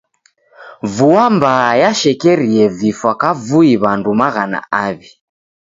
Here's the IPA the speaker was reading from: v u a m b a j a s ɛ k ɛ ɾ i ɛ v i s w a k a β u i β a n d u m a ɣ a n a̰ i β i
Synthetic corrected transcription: v u a m b a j a ʃ ɛ k ɛ ɾ i ɛ v i f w a k a v u i β a n d u m a ɣ a n a̰ a β i

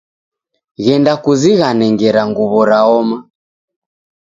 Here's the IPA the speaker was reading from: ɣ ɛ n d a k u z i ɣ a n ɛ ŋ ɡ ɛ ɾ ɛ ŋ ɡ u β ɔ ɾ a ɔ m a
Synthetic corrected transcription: ɣ ɛ n d a k u z i ɣ a n ɛ ŋ ɡ ɛ ɾ a ŋ ɡ u β ɔ ɾ a ɔ m a

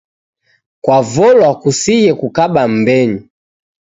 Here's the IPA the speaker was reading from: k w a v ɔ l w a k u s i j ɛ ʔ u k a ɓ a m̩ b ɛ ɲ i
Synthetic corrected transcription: k w a v ɔ l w a k u s i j ɛ k u k a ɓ a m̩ b ɛ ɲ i

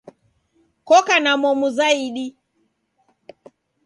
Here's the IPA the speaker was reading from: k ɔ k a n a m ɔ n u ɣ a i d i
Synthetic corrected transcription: k ɔ k a n a m ɔ m u z a i ɗ i

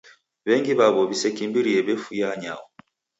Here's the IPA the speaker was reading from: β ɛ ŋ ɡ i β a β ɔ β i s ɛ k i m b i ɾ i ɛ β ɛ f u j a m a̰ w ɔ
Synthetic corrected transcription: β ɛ ŋ ɡ i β a β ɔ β i s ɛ k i m b i ɾ i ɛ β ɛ f u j a ɲ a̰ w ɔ

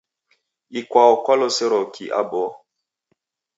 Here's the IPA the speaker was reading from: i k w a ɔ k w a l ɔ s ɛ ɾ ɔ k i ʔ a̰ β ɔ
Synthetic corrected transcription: i k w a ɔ k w a l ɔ s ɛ ɾ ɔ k i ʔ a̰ b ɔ

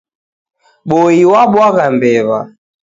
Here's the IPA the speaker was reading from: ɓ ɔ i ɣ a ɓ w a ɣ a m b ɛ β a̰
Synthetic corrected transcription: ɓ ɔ i w a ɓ w a ɣ a m b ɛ β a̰

